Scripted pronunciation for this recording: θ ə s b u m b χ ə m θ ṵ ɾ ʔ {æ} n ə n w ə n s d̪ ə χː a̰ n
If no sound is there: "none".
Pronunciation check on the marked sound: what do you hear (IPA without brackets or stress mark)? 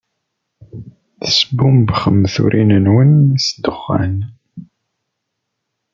i